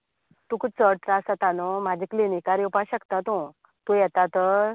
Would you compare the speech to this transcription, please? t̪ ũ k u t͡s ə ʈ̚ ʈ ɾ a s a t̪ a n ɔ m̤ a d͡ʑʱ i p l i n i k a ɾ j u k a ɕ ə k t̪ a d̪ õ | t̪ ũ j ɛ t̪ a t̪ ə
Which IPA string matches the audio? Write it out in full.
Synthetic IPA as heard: t̪ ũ k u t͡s ə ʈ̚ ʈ ɾ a s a t̪ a n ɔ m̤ a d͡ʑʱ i k l i n i k a ɾ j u p a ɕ ə k t̪ a t̪ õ | t̪ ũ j ɛ t̪ a t̪ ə